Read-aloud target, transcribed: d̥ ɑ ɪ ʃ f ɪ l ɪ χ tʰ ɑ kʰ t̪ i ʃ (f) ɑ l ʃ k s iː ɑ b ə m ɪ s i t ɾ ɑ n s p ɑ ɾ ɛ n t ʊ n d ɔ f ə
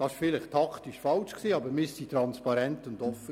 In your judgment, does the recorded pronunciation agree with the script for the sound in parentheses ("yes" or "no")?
yes